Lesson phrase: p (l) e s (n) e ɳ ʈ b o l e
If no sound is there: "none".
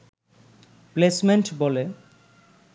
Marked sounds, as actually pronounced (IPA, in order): l, m

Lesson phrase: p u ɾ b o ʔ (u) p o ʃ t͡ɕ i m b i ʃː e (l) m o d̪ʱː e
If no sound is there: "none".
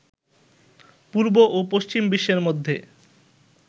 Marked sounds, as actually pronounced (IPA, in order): o, ɾ

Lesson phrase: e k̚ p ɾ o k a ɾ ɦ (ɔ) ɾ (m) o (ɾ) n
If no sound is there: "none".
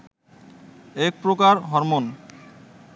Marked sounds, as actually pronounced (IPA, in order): ɔ, m, none

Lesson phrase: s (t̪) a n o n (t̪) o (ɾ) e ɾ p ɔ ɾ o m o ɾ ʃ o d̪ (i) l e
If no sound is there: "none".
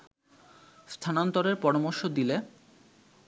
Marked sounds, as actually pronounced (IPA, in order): t̪ʰ, t̪, ɾ, i

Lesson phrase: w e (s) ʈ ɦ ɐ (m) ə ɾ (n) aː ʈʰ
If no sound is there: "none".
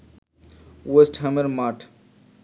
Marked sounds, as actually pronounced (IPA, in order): s, m, m

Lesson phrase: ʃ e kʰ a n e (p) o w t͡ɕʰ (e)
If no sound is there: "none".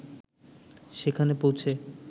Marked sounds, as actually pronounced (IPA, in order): p, e

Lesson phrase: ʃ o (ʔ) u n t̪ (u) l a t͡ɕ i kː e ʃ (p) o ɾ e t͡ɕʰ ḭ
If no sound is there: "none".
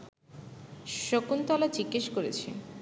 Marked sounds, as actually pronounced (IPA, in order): k, ɔ, k

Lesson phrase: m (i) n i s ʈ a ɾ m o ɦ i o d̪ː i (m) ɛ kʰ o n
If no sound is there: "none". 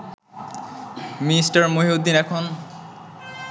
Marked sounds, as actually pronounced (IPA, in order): i, n

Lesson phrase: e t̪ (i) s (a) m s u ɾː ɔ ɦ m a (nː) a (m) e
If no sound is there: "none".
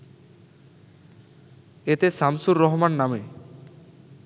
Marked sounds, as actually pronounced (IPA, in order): e, a, nː, m

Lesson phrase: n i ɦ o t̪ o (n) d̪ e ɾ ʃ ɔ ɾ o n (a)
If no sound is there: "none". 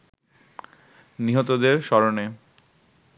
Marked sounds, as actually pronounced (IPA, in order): none, e

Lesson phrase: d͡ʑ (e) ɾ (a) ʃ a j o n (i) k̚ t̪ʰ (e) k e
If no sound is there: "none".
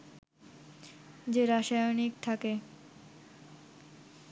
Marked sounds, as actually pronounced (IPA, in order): e, a, i, a

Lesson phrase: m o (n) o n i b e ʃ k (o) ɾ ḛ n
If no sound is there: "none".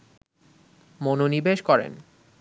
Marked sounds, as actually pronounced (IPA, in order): n, ɔ

